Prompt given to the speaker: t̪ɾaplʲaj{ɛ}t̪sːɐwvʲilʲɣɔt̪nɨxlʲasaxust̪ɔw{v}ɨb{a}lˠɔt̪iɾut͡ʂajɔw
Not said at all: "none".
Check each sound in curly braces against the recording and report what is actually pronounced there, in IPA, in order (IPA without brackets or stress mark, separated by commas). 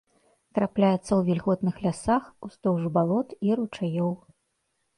ɛ, ʐ, a